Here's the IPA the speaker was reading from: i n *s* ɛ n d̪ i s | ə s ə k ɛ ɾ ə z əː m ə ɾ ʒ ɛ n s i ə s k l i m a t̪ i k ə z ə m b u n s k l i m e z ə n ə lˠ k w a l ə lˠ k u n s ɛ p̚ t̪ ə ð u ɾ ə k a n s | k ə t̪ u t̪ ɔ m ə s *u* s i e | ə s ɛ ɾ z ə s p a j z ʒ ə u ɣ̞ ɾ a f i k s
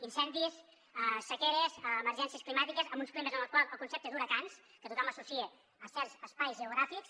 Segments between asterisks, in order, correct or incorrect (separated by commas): correct, correct